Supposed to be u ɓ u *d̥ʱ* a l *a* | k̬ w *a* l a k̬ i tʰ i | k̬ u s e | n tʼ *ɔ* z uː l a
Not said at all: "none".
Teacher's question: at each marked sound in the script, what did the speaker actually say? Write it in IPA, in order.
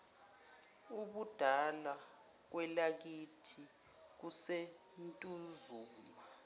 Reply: d̥ʱ, a, ɛ, u

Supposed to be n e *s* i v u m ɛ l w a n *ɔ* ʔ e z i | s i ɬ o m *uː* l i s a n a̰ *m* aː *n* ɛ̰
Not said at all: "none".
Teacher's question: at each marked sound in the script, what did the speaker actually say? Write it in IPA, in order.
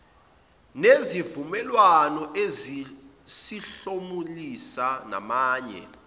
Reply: z, ɔ, u, m, ɲ

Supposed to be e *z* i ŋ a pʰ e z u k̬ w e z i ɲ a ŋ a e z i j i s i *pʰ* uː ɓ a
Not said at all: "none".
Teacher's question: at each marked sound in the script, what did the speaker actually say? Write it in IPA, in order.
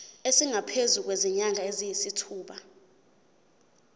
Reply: s, tʰ

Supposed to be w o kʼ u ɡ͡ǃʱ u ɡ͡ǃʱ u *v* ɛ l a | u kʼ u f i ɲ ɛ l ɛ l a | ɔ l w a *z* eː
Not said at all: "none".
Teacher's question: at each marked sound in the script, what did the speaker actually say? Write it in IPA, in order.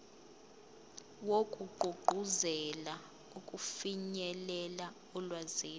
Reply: z, z

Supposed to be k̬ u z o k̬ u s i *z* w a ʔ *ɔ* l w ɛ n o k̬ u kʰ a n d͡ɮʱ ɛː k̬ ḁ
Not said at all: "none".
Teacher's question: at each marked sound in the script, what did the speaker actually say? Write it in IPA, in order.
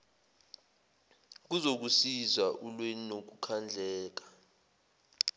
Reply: z, u

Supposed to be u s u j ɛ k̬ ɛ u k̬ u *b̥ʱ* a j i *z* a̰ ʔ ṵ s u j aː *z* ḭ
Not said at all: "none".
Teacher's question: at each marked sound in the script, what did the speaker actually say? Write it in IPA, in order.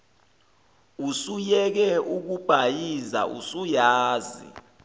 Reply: b̥ʱ, z, z

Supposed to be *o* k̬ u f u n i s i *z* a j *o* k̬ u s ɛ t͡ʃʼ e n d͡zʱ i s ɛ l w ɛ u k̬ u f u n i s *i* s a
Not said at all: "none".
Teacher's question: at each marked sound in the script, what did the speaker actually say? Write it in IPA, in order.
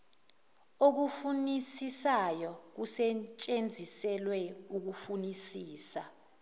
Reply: o, s, ɔ, iː

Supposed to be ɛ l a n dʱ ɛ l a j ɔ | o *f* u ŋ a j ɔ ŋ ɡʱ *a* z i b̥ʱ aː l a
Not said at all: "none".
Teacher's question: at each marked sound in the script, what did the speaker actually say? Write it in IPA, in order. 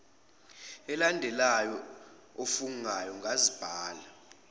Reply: f, a

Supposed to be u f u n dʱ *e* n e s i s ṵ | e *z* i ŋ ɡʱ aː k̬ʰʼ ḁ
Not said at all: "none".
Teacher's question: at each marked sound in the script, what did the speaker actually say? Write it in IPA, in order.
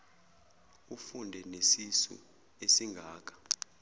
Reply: ɛ, s

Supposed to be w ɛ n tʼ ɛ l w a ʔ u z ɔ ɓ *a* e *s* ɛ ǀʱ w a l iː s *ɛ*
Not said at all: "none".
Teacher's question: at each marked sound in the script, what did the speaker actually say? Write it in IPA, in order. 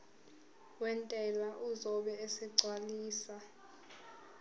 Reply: ɛ, s, a

